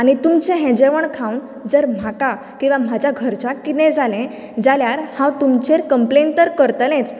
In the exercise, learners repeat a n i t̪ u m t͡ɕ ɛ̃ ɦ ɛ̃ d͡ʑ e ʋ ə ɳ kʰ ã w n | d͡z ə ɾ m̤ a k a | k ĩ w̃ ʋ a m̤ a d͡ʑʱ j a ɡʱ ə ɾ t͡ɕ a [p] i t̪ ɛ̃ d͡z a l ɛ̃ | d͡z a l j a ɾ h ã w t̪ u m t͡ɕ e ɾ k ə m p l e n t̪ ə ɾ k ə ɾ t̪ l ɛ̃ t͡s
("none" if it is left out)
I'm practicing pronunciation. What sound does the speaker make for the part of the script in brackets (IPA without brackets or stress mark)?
k